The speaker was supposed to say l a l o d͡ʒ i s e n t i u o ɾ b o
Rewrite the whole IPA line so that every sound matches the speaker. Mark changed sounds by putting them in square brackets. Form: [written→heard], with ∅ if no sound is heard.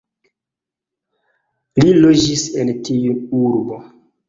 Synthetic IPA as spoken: l [a→i] l o d͡ʒ i s e n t i u [o→u] ɾ b o